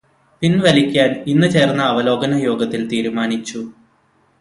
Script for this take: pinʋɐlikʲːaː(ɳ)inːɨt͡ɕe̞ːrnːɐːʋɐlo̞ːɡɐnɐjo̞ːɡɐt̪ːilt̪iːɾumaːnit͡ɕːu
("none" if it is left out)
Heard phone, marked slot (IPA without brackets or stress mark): n